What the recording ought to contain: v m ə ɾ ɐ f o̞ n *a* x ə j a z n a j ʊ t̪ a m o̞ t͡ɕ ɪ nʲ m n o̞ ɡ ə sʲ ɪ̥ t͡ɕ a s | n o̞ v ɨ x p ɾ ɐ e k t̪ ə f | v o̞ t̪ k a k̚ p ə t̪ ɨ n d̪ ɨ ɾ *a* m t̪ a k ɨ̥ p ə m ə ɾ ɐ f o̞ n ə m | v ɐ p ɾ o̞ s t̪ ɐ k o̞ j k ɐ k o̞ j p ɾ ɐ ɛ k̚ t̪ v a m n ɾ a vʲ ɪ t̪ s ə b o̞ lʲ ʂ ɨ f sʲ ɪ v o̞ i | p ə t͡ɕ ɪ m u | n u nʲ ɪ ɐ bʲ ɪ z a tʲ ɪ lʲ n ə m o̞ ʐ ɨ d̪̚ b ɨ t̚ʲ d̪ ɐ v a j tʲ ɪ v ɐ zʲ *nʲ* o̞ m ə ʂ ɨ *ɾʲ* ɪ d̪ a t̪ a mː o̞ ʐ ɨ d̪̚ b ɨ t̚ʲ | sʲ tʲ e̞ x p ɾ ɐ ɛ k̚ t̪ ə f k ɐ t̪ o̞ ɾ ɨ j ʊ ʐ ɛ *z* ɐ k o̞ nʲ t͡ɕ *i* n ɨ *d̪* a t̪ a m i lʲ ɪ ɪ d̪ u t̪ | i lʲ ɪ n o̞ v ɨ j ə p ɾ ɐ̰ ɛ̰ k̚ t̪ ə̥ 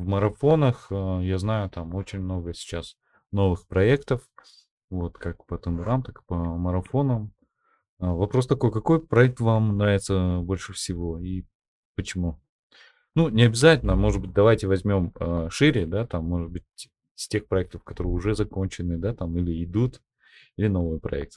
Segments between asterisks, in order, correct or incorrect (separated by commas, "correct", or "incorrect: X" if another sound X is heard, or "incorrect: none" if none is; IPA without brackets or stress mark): incorrect: ə, correct, incorrect: mʲ, correct, correct, incorrect: ɪ, correct